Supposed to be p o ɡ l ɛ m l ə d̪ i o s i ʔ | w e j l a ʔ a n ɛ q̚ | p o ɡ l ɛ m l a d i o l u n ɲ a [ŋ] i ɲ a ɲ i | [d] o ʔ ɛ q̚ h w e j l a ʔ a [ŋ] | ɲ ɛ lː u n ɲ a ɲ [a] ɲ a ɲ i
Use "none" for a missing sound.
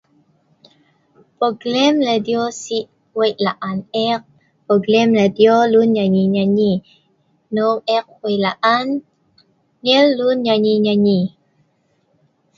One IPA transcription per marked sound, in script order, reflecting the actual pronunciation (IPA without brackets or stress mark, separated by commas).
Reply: ɲ, n, n, i